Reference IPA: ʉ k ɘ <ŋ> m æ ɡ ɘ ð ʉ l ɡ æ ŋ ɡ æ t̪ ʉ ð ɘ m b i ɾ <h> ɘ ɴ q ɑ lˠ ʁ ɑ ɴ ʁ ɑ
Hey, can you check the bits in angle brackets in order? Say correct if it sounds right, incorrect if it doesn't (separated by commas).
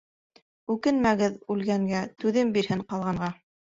incorrect, correct